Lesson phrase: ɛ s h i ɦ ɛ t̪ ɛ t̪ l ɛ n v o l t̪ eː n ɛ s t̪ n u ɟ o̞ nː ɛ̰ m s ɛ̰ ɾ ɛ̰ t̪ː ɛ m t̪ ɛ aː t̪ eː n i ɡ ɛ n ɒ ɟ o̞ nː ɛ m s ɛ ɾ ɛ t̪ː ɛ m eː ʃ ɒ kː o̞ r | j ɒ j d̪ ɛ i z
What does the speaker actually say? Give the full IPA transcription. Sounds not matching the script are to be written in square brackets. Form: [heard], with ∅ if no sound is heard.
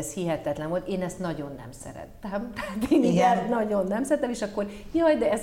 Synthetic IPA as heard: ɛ s h i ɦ ɛ t̪ ɛ t̪ l ɛ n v o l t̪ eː n ɛ s t̪ n [ɒ] ɟ o̞ nː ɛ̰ m s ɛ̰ ɾ ɛ̰ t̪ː ɛ m t̪ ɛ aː t̪ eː n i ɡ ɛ n ɒ ɟ o̞ nː ɛ m s ɛ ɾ ɛ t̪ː ɛ m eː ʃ ɒ kː o̞ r | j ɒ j d̪ ɛ [ɛ] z